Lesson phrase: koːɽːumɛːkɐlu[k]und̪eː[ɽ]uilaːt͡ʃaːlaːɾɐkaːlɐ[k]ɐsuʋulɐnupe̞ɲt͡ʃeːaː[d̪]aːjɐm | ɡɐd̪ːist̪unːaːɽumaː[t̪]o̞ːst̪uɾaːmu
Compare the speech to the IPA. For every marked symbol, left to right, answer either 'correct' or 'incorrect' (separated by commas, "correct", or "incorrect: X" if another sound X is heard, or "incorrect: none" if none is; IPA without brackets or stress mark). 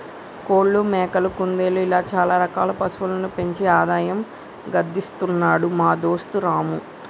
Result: correct, incorrect: l, incorrect: p, correct, incorrect: d̪